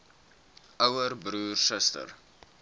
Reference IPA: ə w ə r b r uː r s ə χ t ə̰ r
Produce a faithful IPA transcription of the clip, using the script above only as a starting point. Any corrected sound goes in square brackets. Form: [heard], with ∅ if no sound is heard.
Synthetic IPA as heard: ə w ə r b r uː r s ə [s] t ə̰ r